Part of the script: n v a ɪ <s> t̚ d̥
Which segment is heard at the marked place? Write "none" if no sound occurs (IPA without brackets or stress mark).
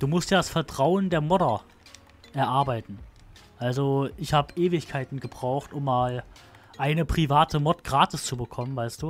s